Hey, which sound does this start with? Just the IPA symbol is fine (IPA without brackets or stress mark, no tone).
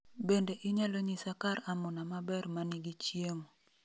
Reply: b